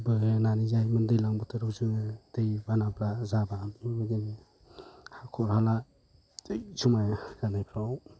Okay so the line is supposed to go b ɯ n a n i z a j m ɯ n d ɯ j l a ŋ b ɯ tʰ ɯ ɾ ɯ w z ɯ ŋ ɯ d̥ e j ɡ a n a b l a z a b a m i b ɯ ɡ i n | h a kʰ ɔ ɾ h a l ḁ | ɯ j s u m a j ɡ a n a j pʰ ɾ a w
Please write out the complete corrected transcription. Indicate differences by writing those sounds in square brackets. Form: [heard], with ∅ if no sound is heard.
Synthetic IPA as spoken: b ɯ n a n i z a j m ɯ n d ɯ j l a ŋ b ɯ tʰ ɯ ɾ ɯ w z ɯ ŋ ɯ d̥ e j [b] a n a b l a z a b a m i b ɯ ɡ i n | h a kʰ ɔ ɾ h a l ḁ | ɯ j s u m a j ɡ a n a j pʰ ɾ a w